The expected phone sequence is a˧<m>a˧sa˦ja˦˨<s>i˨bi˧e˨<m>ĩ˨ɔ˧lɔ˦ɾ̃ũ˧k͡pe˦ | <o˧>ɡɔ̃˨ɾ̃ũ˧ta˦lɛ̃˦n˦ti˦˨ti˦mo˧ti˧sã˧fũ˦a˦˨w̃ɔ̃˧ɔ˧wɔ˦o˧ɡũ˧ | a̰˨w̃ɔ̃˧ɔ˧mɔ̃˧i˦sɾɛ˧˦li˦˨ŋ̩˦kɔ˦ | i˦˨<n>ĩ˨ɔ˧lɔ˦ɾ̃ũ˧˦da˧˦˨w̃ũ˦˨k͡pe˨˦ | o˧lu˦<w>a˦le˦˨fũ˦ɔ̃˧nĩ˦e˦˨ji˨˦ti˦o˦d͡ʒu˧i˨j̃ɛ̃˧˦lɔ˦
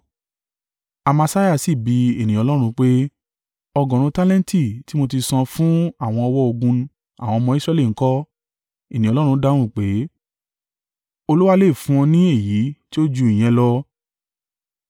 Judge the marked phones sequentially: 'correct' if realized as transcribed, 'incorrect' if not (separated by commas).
correct, correct, incorrect, incorrect, correct, correct